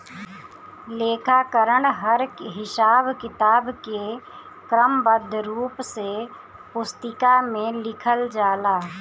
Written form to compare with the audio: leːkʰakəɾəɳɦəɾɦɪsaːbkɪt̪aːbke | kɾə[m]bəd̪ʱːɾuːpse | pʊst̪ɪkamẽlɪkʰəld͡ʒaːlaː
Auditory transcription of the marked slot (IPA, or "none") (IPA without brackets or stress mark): m